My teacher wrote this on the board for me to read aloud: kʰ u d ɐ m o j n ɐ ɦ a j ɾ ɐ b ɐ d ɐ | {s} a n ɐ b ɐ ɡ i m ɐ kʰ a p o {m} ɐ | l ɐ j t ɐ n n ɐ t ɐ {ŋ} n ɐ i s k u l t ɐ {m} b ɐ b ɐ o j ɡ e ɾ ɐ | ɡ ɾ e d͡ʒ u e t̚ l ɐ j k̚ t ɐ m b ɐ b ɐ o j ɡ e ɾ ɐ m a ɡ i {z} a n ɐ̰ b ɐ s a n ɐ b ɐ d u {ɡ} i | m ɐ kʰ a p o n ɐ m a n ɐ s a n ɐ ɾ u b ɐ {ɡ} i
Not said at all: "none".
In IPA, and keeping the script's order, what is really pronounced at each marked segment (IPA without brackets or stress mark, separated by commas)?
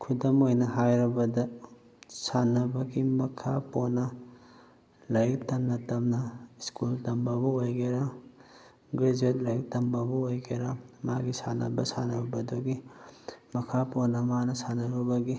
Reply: s, n, m, m, s, ɡ, ɡ